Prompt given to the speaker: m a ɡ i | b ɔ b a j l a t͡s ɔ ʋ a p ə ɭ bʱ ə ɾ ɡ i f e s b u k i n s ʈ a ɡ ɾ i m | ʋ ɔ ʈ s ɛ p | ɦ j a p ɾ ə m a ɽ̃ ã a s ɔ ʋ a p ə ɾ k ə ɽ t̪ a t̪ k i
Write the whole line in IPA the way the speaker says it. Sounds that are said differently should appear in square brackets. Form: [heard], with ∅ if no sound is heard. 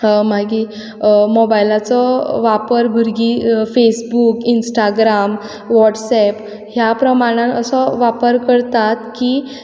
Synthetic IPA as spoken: m a ɡ i | [m] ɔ b a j l a t͡s ɔ ʋ a p ə [ɾ] bʱ ə ɾ ɡ i f e s b u k i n s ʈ a ɡ ɾ [a] m | ʋ ɔ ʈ s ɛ p | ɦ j a p ɾ ə m a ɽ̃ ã [ə] s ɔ ʋ a p ə ɾ k ə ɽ t̪ a t̪ k i